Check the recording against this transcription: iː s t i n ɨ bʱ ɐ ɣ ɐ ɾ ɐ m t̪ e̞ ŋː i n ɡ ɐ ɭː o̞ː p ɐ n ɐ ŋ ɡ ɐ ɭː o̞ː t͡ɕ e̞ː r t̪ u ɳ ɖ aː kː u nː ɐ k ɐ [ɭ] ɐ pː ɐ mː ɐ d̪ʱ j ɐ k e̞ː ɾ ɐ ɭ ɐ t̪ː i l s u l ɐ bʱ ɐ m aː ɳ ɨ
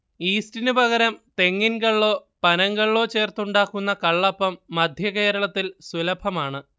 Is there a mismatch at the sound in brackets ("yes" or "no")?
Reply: yes